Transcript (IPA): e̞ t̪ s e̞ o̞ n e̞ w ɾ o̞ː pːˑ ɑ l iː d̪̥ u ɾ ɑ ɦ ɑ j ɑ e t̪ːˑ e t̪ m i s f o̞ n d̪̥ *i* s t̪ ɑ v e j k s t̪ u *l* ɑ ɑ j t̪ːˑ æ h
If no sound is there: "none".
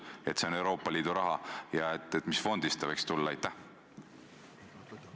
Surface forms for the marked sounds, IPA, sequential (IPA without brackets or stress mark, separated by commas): i, lː